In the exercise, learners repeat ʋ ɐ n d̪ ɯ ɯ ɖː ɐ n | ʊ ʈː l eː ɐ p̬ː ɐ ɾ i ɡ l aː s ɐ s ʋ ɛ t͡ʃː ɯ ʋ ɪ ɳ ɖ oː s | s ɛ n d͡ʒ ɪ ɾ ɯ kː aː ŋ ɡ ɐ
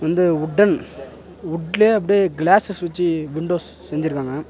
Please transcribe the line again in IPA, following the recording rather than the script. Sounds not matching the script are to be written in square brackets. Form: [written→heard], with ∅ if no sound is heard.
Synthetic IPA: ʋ ɐ n d̪ ɯ [ɯ→ʊ] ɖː ɐ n | ʊ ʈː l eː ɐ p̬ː ɐ [ɾ→ɽ] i ɡ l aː s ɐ s ʋ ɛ t͡ʃː ɯ ʋ ɪ ɳ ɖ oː s | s ɛ [n→ɲ] d͡ʒ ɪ ɾ ɯ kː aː ŋ ɡ ɐ